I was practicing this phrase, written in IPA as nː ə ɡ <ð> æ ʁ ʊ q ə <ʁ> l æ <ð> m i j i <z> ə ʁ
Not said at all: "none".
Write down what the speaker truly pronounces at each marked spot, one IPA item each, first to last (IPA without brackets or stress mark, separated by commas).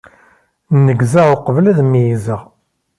z, v, ð, z